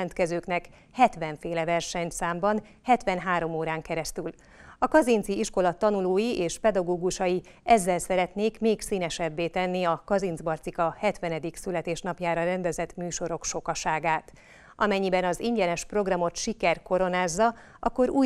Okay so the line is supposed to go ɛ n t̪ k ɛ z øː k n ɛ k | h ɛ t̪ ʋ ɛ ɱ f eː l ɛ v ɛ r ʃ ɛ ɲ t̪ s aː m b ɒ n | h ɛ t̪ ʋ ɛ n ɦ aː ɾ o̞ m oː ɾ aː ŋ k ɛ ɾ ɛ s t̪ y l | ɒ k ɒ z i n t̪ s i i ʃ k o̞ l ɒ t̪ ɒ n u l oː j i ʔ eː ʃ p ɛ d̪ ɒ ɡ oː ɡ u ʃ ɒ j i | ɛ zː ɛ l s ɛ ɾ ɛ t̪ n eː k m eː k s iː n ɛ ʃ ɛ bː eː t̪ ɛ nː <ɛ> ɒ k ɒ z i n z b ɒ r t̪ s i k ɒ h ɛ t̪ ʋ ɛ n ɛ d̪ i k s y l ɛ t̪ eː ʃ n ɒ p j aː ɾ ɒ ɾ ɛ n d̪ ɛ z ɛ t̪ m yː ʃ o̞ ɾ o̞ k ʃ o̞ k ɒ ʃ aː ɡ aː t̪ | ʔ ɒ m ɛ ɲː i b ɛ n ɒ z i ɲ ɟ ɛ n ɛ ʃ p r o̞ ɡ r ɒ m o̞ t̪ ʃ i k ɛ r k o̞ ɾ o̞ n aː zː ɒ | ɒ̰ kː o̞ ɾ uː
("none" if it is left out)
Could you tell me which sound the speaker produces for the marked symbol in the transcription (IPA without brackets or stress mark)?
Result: i